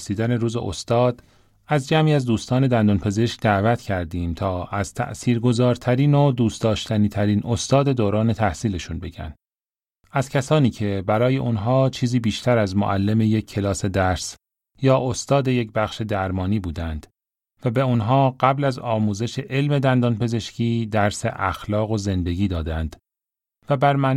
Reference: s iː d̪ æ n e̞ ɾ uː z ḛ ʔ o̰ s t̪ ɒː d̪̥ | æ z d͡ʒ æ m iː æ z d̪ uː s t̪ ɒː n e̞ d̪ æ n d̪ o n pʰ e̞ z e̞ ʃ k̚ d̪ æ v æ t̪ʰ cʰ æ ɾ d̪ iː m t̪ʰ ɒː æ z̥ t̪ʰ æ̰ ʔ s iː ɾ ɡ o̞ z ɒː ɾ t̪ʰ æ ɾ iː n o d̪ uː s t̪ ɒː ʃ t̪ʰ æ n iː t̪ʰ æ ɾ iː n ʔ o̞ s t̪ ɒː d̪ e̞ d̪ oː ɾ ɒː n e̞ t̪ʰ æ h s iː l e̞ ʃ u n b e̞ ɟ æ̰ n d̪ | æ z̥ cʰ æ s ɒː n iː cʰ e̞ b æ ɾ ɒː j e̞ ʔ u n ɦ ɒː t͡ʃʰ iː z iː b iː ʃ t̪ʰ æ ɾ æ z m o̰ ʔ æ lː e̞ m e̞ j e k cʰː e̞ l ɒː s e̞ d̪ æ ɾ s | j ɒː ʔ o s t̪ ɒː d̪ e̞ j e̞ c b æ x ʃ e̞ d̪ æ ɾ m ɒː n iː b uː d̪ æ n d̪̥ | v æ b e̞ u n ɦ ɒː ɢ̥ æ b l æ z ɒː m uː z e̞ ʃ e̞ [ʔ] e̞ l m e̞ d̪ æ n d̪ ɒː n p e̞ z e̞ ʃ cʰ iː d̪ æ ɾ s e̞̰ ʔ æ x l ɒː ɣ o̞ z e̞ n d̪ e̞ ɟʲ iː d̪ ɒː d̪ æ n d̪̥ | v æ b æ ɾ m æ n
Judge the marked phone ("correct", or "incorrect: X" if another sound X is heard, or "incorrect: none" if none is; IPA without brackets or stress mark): correct